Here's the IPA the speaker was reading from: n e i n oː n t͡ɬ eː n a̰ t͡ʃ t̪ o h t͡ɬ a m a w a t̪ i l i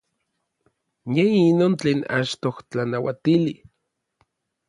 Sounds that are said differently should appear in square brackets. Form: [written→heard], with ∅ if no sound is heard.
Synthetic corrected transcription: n e i n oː n t͡ɬ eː n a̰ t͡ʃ t̪ o h t͡ɬ a [m→n] a w a t̪ i l i

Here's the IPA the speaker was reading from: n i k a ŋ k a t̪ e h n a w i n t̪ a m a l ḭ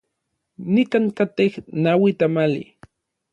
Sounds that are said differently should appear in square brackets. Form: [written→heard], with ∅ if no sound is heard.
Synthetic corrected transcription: n i k a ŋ k a t̪ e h n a w i [n→∅] t̪ a m a l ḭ

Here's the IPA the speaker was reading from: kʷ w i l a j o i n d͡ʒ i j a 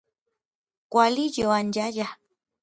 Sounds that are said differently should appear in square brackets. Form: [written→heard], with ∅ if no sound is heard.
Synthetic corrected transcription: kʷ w [i→a] l [a→i] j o [i→a] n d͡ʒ [i→a] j a

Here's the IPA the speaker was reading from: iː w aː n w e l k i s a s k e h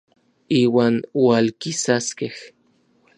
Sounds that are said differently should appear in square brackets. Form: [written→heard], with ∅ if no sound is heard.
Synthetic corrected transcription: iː w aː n w [e→a] l k i s a s k e h

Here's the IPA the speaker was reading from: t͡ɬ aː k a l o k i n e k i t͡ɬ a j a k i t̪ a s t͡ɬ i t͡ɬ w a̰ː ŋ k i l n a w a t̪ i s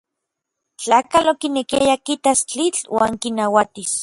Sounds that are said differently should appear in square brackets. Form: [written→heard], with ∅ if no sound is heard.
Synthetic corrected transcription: t͡ɬ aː k a l o k i n e k i [t͡ɬ→∅] a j a k i t̪ a s t͡ɬ i t͡ɬ w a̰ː ŋ k i [l→∅] n a w a t̪ i s

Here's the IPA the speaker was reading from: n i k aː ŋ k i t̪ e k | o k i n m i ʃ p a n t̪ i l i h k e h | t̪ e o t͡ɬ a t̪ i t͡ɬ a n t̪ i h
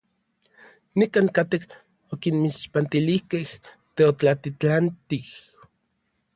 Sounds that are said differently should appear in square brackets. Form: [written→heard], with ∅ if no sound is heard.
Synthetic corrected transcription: n i k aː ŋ k [i→a] t̪ e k | o k i n m i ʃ p a n t̪ i l i h k e h | t̪ e o t͡ɬ a t̪ i t͡ɬ a n t̪ i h

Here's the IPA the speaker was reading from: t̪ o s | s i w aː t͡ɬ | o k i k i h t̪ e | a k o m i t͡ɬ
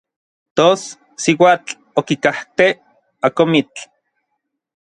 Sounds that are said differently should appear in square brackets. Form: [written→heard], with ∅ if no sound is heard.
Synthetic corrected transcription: t̪ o s | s i w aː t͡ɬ | o k i k [i→a] h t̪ e | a k o m i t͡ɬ

